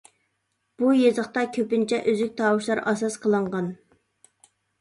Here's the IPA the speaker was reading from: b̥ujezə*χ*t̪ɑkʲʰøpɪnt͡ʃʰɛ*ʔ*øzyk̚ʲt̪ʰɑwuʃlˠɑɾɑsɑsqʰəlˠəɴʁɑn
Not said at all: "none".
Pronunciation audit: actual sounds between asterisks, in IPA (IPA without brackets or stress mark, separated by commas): χ, ʔ